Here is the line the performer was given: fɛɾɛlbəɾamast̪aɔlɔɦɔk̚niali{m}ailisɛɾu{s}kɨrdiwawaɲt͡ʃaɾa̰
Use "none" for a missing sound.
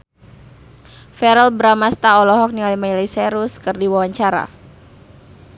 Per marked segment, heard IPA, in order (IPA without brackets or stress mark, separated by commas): m, s